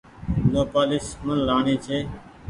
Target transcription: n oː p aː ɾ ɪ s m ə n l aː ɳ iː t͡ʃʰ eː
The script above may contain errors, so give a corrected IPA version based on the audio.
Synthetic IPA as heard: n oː p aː l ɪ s m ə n l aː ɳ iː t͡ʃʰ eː